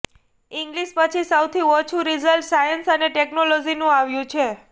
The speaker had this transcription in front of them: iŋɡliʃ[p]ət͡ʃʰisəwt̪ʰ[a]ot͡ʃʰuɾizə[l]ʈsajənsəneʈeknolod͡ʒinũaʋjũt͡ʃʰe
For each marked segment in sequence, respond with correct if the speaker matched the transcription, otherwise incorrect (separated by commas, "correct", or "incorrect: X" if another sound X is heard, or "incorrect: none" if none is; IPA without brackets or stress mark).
correct, incorrect: i, correct